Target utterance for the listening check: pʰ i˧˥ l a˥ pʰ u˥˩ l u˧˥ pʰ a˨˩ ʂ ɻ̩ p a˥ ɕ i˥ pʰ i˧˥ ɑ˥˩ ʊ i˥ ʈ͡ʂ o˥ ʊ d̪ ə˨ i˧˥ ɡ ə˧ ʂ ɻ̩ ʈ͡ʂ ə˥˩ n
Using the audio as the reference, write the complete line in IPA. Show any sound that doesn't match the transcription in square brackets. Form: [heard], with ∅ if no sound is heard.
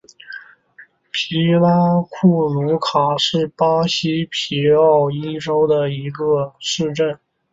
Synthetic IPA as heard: pʰ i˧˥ l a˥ [kʰ] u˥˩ l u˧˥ [kʰ] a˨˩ ʂ ɻ̩ p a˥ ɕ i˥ pʰ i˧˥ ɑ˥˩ ʊ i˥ ʈ͡ʂ o˥ ʊ d̪ ə˨ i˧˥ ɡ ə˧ ʂ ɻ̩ ʈ͡ʂ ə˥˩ n